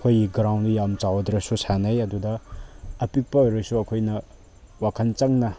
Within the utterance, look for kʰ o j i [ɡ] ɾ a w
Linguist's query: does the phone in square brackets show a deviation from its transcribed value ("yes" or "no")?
no